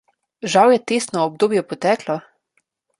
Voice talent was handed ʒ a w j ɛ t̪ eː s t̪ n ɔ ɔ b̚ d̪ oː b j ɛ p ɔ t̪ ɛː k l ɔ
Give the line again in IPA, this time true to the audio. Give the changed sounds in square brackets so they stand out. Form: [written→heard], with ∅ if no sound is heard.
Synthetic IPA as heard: ʒ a w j ɛ t̪ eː s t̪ n ɔ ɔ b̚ d̪ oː b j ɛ p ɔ t̪ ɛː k l ɔ